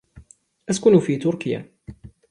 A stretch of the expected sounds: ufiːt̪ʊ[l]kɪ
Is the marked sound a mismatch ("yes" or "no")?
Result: yes